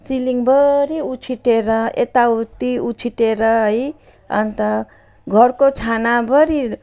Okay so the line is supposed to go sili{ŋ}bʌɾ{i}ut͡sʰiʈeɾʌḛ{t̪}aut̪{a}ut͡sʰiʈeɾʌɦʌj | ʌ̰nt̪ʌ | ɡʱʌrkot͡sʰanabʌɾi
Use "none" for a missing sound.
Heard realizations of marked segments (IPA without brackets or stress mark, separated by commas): ŋ, i, t̪, i